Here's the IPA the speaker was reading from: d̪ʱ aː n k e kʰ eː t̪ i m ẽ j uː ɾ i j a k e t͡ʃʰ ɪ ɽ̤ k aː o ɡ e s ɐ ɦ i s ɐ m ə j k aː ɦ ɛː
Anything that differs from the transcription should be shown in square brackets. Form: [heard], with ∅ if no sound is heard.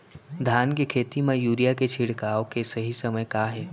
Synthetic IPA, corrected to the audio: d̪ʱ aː n k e kʰ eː t̪ i m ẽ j uː ɾ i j a k e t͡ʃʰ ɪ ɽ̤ k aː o [k] e s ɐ ɦ i s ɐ m ə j k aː ɦ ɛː